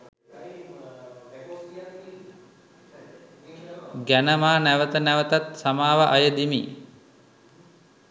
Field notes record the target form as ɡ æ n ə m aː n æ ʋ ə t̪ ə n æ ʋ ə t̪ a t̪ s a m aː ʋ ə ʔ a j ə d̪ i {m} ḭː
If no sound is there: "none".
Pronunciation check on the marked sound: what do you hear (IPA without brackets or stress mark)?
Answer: m